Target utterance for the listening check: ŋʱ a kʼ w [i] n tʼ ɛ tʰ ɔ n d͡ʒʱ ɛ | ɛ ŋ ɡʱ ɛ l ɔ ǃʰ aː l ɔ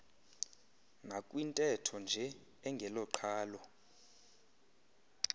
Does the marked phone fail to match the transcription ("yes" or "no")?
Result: no